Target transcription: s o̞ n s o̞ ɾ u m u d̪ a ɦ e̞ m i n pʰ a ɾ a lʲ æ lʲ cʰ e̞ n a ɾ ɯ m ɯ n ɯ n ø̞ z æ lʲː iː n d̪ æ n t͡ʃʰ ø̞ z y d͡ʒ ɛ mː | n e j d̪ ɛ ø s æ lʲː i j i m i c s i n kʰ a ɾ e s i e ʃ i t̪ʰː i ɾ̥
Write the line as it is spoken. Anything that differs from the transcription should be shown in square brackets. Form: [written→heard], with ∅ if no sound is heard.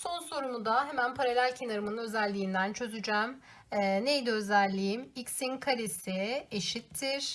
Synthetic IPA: s o̞ n s o̞ ɾ u m u d̪ a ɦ e̞ m [i→æ] n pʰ a ɾ a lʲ æ lʲ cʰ e̞ n a ɾ ɯ m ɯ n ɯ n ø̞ z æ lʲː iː n d̪ æ n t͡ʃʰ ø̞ z y d͡ʒ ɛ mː | n e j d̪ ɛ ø [s→z] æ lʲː i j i m i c s i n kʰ a ɾ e s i e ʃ i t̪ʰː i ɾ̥